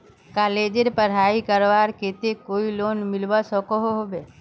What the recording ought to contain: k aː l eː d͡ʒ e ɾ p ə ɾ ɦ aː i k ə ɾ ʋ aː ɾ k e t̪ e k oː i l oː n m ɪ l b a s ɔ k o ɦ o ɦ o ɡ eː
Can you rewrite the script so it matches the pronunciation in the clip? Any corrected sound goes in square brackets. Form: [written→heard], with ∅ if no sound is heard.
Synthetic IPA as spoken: k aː l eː d͡ʒ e ɾ p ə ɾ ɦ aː i k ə ɾ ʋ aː ɾ k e t̪ e k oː i l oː n m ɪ l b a s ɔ k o ɦ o ɦ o [ɡ→b] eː